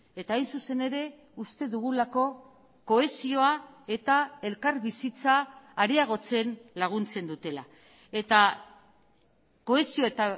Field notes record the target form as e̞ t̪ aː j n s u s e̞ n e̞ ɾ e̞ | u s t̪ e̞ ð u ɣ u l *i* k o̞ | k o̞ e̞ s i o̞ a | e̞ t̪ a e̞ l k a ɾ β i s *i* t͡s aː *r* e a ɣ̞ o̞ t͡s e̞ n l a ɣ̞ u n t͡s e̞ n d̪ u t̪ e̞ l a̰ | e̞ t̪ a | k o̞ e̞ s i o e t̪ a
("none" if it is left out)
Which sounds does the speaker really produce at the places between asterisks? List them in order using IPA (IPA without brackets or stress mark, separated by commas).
a, i, ɾ